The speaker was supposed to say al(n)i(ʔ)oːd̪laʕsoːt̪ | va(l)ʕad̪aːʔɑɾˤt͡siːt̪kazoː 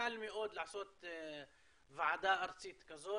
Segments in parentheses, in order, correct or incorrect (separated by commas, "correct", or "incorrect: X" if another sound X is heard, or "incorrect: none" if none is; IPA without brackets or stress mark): incorrect: m, correct, incorrect: none